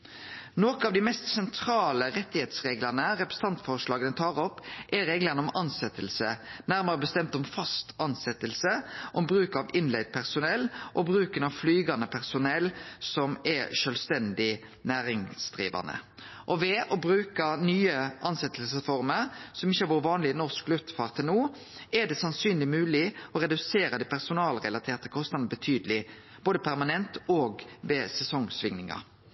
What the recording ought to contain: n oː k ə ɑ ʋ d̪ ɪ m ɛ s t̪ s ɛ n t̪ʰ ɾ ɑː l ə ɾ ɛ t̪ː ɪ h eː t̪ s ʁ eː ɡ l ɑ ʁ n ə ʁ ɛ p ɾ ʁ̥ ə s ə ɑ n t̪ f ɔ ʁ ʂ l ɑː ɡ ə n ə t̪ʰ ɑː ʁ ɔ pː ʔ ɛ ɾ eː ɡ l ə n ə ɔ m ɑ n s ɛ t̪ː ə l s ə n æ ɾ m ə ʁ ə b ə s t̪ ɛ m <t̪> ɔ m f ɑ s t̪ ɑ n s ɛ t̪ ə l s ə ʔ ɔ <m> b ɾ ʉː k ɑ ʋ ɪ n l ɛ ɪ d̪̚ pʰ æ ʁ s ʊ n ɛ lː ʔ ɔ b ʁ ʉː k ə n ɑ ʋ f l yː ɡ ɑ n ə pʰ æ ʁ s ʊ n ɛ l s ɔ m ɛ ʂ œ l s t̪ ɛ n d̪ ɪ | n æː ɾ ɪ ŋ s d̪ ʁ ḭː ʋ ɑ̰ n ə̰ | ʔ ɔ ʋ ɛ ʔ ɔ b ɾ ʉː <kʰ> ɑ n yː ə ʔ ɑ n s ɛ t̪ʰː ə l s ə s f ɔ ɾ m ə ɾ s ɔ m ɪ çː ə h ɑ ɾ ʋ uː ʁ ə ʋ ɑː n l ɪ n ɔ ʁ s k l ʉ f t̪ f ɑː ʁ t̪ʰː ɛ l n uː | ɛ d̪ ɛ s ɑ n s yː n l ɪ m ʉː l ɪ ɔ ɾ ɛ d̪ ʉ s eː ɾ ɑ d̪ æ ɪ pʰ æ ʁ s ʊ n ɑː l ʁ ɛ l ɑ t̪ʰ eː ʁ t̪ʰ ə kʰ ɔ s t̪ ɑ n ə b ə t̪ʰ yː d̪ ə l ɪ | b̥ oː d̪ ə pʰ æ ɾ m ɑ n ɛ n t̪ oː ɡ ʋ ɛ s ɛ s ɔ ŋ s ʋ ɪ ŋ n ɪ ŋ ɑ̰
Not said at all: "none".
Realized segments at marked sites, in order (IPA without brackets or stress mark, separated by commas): t̪, m, k